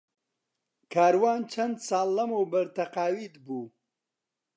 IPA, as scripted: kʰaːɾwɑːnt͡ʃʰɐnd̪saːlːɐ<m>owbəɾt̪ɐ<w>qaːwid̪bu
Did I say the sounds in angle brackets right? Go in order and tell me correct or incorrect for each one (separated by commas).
correct, incorrect